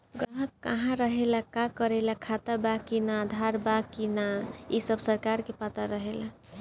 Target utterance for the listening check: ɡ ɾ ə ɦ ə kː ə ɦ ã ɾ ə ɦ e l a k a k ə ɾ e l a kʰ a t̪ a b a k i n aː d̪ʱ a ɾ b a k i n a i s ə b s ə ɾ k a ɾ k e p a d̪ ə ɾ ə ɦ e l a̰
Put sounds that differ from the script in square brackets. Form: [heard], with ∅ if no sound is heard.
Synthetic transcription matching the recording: ɡ ɾ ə ɦ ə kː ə ɦ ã ɾ ə ɦ e l a k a k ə ɾ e l a kʰ a t̪ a b a k i n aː d̪ʱ a ɾ b a k i n a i s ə b s ə ɾ k a ɾ k e p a [t̪] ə ɾ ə ɦ e l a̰

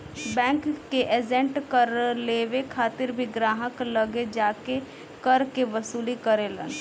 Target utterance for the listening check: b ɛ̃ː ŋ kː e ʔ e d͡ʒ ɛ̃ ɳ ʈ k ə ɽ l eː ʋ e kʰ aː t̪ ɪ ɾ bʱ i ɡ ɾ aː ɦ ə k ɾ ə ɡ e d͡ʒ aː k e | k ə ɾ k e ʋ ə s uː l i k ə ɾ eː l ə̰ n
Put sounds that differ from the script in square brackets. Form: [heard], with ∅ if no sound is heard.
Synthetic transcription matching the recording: b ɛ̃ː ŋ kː e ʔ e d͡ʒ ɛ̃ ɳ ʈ k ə [ɾ] l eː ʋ e kʰ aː t̪ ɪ ɾ bʱ i ɡ ɾ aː ɦ ə k [l] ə ɡ e d͡ʒ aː k e | k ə ɾ k e ʋ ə s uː l i k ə ɾ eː l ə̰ n

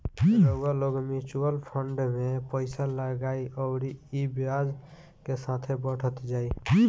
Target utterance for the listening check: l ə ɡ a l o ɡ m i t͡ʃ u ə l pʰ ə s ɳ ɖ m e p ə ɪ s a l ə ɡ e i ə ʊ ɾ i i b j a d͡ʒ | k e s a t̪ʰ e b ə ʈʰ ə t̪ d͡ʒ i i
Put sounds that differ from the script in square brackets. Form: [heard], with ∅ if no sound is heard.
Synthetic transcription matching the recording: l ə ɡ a l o ɡ m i t͡ʃ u ə l pʰ ə [∅] ɳ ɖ m e p ə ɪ s a l ə ɡ [a] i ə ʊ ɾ i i b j a d͡ʒ | k e s a t̪ʰ e b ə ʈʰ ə t̪ d͡ʒ [a] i

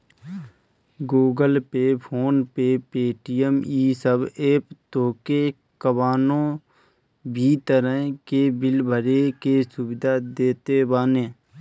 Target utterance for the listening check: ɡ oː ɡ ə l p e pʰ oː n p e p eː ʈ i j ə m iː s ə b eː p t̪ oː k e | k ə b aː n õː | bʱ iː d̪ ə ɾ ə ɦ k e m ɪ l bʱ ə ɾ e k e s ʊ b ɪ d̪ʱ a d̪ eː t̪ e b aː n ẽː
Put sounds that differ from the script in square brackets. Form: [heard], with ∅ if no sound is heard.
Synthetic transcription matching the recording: ɡ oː ɡ ə l p e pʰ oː n p e p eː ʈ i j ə m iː s ə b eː p t̪ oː k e | k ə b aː n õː | bʱ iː [t̪] ə ɾ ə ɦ k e [b] ɪ l bʱ ə ɾ e k e s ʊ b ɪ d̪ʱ a d̪ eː t̪ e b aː n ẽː

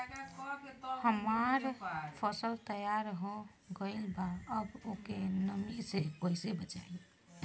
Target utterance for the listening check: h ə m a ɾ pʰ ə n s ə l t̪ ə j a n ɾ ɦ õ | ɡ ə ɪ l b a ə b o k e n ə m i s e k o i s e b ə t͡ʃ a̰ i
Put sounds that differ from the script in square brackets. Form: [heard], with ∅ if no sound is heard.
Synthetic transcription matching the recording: h ə m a ɾ pʰ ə [∅] s ə l t̪ ə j a [∅] ɾ ɦ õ | ɡ ə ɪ l b a ə b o k e n ə m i s e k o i s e b ə t͡ʃ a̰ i

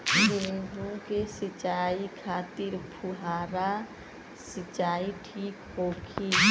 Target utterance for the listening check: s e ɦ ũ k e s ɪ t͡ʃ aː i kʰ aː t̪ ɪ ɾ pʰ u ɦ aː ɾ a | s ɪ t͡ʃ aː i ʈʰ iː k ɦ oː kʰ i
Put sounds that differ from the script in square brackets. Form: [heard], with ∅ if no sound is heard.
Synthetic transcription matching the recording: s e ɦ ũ k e s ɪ t͡ʃ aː i kʰ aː t̪ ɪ ɾ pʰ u ɦ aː ɾ a | s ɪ t͡ʃ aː i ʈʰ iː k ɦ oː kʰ i

